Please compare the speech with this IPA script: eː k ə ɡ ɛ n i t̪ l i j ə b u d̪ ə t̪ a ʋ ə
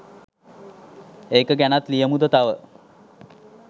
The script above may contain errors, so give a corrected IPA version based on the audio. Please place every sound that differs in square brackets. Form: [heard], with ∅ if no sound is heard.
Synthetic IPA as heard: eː k ə ɡ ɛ n [a] t̪ l i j ə [m] u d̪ ə t̪ a ʋ ə

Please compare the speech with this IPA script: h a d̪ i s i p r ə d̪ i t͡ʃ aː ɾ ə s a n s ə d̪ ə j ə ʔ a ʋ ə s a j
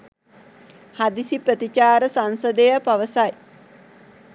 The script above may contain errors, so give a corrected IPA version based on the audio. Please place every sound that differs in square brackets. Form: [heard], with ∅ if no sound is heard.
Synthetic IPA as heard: h a d̪ i s i p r ə [t̪] i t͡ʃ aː ɾ ə s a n s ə d̪ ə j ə [p] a ʋ ə s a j

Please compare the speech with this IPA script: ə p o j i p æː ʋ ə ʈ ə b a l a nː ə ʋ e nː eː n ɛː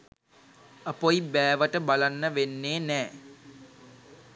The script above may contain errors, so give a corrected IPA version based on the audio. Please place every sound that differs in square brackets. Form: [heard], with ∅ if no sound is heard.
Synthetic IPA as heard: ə p o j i [b] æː ʋ ə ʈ ə b a l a nː ə ʋ e nː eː n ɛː

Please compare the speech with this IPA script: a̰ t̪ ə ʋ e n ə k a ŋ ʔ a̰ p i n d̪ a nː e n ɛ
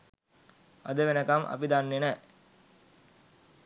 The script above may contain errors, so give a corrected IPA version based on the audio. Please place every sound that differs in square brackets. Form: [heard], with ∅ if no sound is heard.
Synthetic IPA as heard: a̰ [d̪] ə ʋ e n ə k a [m] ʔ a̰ p i [∅] d̪ a nː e n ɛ

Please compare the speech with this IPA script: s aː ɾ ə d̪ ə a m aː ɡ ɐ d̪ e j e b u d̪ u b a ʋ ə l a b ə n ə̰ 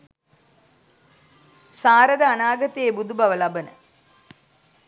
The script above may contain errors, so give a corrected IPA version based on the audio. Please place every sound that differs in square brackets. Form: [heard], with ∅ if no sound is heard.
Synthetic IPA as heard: s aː ɾ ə d̪ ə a [n] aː ɡ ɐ [t̪] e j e b u d̪ u b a ʋ ə l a b ə n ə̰

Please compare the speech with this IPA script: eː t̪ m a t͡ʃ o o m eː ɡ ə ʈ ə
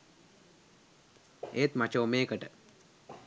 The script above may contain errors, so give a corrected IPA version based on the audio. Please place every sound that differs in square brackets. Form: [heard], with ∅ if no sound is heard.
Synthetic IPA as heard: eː t̪ m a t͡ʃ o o m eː [k] ə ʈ ə

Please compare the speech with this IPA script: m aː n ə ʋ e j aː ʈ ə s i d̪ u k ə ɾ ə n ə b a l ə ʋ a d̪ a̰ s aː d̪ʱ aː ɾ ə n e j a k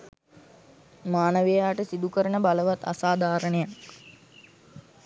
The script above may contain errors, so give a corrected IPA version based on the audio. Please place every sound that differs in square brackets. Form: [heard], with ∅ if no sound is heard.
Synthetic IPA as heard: m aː n ə ʋ e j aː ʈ ə s i d̪ u k ə ɾ ə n ə b a l ə ʋ a [t̪] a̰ s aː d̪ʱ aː ɾ ə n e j a k

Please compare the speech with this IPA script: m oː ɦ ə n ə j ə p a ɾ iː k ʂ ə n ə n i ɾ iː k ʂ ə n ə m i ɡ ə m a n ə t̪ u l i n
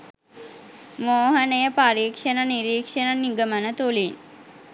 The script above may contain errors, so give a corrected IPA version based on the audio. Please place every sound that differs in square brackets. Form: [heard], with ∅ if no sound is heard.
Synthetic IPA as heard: m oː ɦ ə n ə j ə p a ɾ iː k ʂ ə n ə n i ɾ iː k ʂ ə n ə [n] i ɡ ə m [ə] n ə t̪ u l i n

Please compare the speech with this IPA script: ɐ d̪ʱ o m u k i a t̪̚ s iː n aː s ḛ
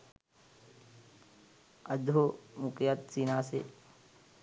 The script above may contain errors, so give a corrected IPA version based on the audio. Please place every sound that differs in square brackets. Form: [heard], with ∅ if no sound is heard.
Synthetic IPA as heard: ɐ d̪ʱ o m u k [j] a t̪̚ s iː n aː s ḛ

